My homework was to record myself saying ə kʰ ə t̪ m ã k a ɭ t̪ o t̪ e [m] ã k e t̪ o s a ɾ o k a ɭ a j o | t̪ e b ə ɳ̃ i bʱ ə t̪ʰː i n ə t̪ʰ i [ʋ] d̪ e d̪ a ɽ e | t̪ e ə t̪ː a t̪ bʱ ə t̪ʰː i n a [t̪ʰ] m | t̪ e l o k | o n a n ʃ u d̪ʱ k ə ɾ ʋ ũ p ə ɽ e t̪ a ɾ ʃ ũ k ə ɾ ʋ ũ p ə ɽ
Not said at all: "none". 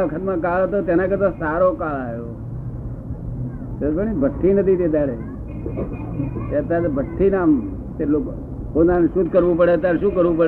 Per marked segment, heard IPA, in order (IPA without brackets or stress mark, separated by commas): n, none, none